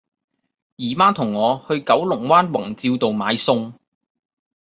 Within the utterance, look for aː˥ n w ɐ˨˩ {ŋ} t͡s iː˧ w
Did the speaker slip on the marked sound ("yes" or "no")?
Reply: no